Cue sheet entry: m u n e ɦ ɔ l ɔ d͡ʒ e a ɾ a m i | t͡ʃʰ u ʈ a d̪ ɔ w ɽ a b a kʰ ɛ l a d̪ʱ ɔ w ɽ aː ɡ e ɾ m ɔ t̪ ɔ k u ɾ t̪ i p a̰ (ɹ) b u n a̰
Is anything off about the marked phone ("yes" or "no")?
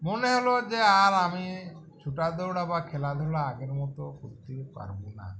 yes